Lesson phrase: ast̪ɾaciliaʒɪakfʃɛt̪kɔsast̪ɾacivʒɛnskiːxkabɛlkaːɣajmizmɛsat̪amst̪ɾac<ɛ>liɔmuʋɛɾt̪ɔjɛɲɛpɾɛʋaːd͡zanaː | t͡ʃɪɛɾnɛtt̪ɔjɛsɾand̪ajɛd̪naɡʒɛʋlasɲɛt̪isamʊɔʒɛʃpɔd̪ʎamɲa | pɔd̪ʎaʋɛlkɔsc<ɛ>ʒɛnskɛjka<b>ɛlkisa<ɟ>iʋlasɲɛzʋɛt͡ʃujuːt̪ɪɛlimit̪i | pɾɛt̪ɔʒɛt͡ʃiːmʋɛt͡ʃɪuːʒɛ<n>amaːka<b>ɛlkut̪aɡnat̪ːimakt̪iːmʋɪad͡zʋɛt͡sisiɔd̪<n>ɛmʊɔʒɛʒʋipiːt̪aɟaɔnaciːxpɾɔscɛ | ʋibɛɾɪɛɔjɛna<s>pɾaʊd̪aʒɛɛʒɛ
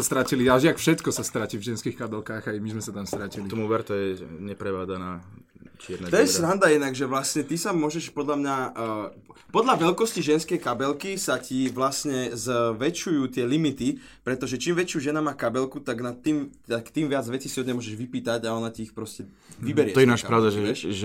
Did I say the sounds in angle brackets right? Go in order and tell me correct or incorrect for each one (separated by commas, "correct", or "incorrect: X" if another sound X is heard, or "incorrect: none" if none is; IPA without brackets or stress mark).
incorrect: i, incorrect: i, correct, incorrect: c, correct, correct, incorrect: ɲ, incorrect: ʃ